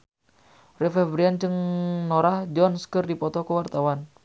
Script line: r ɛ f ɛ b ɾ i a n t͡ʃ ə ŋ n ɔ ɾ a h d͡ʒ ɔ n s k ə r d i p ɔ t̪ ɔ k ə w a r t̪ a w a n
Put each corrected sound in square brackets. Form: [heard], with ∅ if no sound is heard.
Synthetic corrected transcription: r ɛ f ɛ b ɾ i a n t͡ʃ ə ŋ n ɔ ɾ a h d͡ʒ ɔ n s k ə r d i p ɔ t̪ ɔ k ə w a r t̪ a w a n

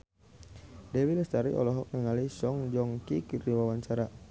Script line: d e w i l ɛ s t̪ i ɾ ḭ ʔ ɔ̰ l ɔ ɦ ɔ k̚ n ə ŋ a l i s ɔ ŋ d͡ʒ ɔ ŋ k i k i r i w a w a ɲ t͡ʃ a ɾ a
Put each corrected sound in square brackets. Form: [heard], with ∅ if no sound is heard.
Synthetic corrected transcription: d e w i l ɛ s t̪ [a] ɾ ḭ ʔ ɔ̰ l ɔ ɦ ɔ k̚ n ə ŋ a l i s ɔ ŋ d͡ʒ ɔ ŋ k i k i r i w a w a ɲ t͡ʃ a ɾ a

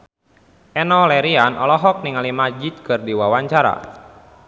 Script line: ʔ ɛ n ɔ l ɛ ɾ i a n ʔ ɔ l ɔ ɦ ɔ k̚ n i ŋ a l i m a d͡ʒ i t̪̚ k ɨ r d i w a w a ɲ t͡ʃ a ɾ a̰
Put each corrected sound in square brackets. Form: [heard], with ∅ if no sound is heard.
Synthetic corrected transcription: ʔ ɛ n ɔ l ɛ ɾ i a n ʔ ɔ l ɔ ɦ ɔ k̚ n i ŋ a l i m a d͡ʒ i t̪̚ k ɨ r d i w a w a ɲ t͡ʃ a ɾ a̰

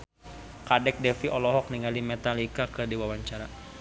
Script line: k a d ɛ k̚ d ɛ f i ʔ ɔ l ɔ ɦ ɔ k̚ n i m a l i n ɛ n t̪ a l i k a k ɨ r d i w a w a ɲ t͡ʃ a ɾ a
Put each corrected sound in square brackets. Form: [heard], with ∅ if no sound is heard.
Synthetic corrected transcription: k a d ɛ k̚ d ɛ f i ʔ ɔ l ɔ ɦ ɔ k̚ n i [ŋ] a l i [m] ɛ [∅] t̪ a l i k a k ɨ r d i w a w a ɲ t͡ʃ a ɾ a

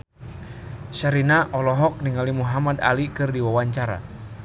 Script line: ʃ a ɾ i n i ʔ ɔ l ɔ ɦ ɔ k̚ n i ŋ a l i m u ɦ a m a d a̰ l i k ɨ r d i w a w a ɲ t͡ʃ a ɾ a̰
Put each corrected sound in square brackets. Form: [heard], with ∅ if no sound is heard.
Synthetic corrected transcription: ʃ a ɾ i n [a] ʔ ɔ l ɔ ɦ ɔ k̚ n i ŋ a l i m u ɦ a m a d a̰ l i k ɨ r d i w a w a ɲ t͡ʃ a ɾ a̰

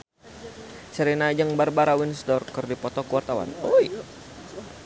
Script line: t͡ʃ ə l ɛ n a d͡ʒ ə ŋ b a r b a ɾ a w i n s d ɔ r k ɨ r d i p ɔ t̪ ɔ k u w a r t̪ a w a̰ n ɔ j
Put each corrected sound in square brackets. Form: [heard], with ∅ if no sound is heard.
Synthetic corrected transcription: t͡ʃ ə [ɾ] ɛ n a d͡ʒ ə ŋ b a r b a ɾ a w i n s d ɔ r k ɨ r d i p ɔ t̪ ɔ k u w a r t̪ a w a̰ n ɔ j

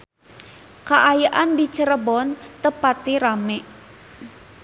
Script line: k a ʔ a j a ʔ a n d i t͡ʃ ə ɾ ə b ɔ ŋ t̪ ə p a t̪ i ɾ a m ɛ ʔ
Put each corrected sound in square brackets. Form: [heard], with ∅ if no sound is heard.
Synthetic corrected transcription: k a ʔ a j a ʔ a n d i t͡ʃ ə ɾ ə b ɔ [n] t̪ ə p a t̪ i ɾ a m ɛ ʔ

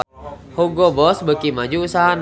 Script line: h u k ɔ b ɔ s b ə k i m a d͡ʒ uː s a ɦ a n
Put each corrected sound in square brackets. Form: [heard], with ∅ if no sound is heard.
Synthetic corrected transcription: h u [ɡ] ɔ b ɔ s b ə k i m a d͡ʒ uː s a ɦ a n

